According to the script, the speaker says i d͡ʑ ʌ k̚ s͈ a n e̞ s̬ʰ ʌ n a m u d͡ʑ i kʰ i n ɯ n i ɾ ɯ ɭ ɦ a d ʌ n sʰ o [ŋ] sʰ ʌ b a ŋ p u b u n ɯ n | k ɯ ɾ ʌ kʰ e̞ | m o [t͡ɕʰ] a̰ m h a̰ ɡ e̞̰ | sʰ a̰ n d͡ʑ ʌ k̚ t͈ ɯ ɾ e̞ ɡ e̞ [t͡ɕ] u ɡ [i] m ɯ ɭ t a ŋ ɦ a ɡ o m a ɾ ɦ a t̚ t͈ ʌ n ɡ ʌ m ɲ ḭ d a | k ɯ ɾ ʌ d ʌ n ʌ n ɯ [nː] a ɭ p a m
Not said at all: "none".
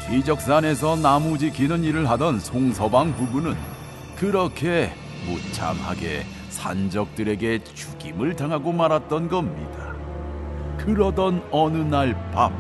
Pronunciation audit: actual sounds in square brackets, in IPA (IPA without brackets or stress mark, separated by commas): ŋ, t͡ɕʰ, t͡ɕ, i, n